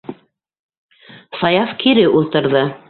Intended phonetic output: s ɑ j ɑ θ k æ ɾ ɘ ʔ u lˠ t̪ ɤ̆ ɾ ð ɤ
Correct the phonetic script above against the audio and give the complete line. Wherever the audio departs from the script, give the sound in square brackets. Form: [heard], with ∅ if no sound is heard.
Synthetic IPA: s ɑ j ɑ [f] k [i] ɾ ɘ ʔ u lˠ t̪ ɤ̆ ɾ ð ɤ